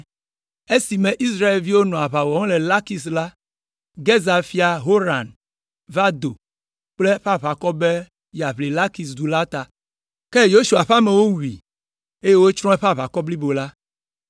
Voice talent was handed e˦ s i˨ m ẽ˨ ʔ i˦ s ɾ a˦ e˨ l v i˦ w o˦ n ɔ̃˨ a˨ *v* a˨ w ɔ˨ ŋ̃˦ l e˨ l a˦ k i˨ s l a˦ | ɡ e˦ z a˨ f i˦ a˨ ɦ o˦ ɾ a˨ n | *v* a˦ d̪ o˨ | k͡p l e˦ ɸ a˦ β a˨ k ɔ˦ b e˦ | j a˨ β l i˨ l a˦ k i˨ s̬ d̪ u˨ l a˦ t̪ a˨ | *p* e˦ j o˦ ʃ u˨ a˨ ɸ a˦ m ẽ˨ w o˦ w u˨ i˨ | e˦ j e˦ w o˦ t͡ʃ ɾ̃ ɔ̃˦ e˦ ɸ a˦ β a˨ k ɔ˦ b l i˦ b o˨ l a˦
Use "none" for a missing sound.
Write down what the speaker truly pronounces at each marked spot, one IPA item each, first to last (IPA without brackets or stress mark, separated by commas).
β, v, k